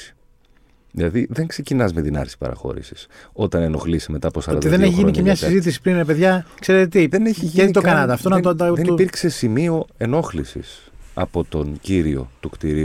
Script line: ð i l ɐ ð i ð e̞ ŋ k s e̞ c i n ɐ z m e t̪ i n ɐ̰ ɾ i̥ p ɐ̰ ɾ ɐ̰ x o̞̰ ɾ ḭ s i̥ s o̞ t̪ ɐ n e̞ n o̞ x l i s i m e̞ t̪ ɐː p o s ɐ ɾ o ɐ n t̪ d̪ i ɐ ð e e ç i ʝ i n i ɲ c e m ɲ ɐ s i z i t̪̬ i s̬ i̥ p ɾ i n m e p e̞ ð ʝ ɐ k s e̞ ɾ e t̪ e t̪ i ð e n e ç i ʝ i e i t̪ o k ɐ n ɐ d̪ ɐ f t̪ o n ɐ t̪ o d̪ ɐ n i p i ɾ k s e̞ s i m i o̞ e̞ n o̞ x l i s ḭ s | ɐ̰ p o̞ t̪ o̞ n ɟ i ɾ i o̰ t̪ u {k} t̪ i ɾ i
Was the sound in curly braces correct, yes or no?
yes